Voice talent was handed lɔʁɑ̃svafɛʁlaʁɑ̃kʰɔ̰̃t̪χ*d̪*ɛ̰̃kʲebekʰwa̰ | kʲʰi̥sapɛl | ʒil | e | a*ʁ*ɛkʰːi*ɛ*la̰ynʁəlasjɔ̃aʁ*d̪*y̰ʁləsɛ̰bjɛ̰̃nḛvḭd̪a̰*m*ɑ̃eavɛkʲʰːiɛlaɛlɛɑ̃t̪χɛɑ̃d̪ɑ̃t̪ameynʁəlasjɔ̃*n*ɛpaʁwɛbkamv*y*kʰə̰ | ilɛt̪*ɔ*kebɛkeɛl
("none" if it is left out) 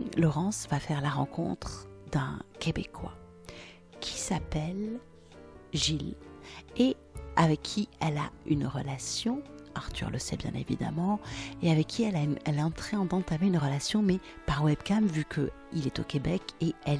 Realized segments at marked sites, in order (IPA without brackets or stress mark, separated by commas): d̪, v, ɛ, t̪, m, m, y, o